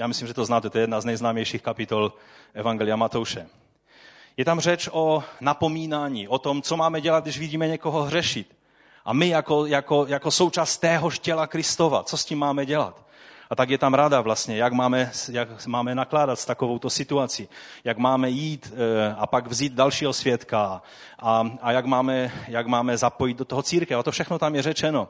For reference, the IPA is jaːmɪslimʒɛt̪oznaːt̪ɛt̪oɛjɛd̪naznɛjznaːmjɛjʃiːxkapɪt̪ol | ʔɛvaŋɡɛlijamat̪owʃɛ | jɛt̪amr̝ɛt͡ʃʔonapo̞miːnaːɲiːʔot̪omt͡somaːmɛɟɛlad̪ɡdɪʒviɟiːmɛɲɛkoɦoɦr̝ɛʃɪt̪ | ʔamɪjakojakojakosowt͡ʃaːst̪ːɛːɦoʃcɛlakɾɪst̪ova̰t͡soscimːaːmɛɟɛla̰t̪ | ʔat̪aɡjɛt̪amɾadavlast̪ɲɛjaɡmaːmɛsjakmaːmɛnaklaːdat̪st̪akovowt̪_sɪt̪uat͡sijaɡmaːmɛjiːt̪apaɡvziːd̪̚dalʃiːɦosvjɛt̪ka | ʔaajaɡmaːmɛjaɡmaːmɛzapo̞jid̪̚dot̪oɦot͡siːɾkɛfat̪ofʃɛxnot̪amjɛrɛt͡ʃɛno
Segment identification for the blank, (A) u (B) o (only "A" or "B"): B